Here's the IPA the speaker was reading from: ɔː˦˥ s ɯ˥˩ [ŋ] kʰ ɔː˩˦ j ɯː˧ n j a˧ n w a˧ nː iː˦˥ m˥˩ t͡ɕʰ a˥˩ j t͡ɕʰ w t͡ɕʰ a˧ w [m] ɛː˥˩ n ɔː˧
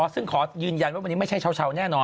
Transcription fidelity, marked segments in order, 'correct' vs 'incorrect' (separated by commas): correct, incorrect